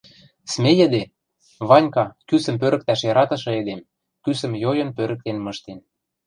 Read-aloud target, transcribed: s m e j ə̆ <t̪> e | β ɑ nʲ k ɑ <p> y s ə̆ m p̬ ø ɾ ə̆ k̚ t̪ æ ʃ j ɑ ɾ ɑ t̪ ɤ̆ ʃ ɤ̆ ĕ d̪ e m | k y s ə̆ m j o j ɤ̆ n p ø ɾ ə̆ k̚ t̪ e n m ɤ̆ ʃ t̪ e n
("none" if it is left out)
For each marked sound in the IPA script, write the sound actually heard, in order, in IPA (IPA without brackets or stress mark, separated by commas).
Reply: d̪, k